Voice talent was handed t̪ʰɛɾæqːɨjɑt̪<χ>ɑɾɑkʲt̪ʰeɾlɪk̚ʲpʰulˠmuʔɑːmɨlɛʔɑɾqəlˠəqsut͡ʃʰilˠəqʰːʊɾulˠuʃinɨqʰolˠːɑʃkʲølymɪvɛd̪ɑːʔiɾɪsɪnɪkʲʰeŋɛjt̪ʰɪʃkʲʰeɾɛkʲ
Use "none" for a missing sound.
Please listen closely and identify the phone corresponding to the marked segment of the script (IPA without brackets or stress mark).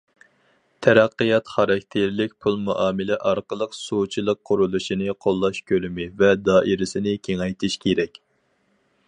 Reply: χ